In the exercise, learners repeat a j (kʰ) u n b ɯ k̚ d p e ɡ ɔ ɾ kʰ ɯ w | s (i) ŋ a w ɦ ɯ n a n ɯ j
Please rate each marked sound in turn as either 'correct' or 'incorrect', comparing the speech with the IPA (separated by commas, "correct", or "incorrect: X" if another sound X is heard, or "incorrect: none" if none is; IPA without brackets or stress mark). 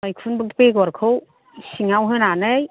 correct, correct